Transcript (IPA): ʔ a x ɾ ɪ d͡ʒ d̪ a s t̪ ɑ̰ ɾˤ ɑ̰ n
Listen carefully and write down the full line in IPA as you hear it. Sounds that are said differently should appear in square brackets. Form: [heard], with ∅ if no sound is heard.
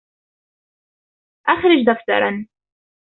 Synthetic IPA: ʔ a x ɾ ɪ d͡ʒ d̪ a [f] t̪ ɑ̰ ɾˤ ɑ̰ n